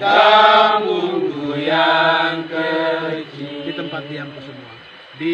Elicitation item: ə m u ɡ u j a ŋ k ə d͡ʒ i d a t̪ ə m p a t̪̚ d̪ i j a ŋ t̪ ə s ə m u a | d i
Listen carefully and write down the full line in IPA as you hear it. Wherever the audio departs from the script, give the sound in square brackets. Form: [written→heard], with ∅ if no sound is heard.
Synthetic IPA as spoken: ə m u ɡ u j a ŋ k ə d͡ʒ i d [a→i] t̪ ə m p a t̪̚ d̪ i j a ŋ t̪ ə s ə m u a | d i